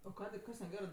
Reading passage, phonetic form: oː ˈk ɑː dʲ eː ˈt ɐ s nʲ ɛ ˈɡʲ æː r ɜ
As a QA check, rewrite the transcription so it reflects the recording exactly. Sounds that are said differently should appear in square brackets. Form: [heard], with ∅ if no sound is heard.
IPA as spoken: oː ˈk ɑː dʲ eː [ˈk] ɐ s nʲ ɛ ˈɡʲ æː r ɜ